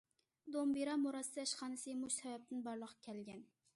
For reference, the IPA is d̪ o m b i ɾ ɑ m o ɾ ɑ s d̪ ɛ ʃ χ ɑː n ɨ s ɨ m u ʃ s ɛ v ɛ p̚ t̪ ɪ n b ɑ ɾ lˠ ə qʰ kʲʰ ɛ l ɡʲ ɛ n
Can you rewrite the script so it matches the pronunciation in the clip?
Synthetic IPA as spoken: d̪ o m b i ɾ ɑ m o ɾ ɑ s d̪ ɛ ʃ χ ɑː n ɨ s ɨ m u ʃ s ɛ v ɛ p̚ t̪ ɪ n b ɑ ɾ lˠ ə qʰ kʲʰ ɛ l ɡʲ ɛ n